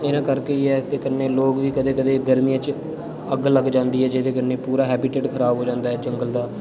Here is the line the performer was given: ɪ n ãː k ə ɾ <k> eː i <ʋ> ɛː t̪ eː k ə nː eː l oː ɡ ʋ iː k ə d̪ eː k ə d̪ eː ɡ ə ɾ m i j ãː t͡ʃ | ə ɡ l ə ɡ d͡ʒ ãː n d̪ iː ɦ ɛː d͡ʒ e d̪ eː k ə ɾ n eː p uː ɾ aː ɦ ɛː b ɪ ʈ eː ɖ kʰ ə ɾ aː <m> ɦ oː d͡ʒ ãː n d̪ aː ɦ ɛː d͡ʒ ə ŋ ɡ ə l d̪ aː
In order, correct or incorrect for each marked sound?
correct, incorrect: none, incorrect: b

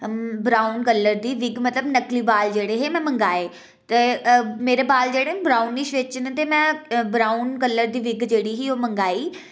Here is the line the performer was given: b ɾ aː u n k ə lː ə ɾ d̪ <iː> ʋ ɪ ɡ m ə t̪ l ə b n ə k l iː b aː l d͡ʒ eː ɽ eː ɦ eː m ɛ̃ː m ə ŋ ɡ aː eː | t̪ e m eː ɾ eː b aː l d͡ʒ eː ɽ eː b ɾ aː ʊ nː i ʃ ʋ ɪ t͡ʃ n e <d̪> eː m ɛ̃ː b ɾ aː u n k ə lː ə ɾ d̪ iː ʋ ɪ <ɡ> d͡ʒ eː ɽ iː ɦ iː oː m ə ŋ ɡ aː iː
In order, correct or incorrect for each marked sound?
correct, incorrect: t̪, correct

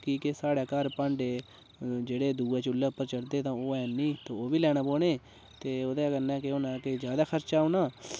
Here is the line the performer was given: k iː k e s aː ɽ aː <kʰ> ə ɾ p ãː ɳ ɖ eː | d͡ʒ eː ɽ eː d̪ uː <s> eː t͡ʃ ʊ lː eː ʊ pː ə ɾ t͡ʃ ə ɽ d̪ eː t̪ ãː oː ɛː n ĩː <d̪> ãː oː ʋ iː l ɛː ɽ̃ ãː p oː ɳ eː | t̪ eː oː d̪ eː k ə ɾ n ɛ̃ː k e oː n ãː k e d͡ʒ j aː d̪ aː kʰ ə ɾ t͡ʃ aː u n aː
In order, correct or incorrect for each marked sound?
incorrect: k, incorrect: none, incorrect: t̪

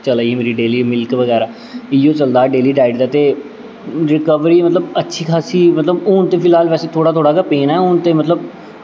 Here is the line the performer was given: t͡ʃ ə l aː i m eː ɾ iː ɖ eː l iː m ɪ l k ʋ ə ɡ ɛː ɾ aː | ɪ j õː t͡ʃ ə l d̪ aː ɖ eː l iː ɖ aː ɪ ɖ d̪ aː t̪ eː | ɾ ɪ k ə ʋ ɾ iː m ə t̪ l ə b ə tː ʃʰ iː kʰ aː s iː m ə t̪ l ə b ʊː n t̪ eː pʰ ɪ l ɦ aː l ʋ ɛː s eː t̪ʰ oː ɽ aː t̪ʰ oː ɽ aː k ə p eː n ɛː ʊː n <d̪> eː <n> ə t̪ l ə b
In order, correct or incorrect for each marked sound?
incorrect: t̪, incorrect: m

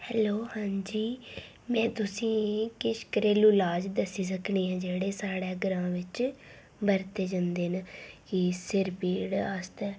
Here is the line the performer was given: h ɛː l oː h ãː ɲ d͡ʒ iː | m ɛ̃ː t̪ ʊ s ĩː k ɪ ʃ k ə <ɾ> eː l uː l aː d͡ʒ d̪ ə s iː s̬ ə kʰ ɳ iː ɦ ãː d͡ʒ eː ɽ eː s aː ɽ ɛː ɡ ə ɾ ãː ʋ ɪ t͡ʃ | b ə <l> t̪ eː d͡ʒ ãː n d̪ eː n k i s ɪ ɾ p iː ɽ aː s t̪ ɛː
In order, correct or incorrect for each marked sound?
correct, incorrect: ɾ

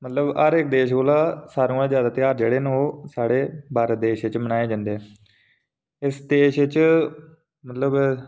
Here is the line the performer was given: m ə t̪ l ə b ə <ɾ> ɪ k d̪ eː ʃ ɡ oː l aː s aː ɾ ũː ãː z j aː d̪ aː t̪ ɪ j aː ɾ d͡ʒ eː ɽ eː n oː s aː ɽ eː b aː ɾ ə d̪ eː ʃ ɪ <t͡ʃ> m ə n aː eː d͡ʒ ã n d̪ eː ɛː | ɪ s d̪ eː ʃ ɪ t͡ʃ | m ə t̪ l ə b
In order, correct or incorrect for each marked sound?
correct, correct

